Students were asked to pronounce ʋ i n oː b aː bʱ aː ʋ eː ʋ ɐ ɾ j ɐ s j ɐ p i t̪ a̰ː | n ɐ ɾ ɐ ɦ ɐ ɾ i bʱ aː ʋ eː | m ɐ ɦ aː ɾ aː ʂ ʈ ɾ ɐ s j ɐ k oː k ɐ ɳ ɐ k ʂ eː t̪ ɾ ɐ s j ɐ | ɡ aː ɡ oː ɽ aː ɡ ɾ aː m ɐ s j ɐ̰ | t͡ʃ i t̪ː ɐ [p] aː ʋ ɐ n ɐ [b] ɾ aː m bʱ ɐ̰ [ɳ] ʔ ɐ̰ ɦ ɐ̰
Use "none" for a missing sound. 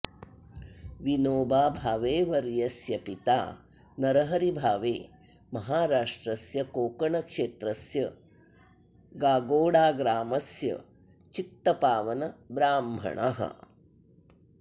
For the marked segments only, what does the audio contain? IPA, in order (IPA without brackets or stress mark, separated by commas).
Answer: p, b, ɳ